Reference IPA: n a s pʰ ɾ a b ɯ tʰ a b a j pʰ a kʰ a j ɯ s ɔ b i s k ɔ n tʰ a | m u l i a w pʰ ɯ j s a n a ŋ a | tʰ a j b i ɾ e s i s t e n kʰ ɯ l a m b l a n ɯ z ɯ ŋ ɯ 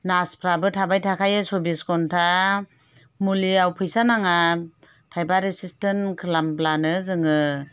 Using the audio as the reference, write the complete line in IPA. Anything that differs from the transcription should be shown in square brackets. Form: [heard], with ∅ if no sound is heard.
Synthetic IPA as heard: n a s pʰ ɾ a b ɯ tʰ a b a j [tʰ] a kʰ a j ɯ s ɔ b i s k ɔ n tʰ a | m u l i a w pʰ ɯ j s a n a ŋ a | tʰ a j b [a] ɾ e s i s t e n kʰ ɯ l a m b l a n ɯ z ɯ ŋ ɯ